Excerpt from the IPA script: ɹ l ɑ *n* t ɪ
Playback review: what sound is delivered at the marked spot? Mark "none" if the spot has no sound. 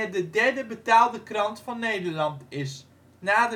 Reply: n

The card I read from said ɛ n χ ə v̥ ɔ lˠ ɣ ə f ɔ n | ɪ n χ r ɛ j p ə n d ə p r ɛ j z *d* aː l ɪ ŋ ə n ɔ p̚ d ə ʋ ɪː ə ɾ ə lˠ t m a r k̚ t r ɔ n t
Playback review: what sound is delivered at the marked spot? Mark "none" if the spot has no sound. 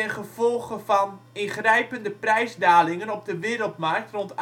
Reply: d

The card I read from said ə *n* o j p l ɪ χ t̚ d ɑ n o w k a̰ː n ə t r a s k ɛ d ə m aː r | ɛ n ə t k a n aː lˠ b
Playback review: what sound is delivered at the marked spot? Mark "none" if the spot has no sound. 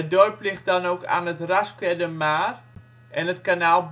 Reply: d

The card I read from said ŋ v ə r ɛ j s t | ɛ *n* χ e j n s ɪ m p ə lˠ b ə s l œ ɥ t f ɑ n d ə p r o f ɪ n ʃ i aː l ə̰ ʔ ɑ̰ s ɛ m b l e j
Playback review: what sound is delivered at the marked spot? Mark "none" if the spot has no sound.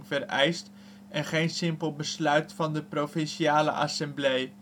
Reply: n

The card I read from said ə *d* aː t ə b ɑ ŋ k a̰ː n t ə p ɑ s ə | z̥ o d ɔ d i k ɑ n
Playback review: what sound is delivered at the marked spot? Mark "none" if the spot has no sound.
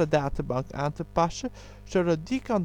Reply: d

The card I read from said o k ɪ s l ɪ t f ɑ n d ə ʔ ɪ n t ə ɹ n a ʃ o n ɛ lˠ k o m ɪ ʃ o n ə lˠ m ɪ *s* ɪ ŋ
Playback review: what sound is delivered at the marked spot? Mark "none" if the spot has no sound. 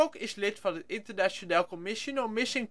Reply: s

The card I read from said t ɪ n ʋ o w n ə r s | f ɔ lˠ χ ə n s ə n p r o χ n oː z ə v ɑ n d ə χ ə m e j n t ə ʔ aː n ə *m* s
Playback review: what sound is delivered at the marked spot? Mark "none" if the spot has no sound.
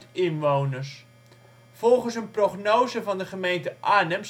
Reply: m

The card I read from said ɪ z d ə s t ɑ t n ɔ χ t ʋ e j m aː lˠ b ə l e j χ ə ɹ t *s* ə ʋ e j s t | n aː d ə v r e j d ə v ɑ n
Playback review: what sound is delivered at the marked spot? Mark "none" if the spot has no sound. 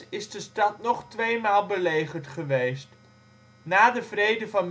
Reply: χ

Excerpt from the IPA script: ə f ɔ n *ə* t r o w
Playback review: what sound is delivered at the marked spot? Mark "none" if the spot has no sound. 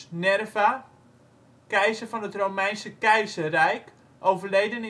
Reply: ə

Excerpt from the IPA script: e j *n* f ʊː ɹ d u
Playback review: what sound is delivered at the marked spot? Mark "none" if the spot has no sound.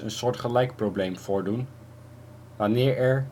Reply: m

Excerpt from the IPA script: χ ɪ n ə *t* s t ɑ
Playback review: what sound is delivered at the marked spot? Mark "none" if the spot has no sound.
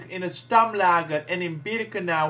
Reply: t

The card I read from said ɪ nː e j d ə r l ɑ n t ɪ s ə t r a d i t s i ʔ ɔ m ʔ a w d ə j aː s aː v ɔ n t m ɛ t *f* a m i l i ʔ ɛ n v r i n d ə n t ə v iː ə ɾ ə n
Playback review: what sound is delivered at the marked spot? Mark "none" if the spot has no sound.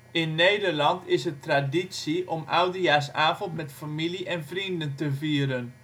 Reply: f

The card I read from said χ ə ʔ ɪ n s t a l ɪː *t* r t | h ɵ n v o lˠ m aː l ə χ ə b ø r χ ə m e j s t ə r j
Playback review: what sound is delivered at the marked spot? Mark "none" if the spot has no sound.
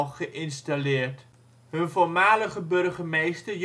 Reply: none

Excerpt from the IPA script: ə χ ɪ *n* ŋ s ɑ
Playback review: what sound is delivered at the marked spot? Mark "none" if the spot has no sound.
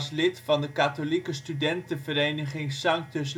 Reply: none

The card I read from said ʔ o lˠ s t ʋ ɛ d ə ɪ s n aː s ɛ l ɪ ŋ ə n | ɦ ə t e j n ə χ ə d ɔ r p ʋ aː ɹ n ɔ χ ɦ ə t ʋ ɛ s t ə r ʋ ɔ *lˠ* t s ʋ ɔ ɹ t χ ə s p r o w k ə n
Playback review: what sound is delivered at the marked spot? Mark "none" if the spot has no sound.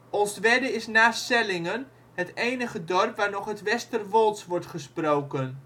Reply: lˠ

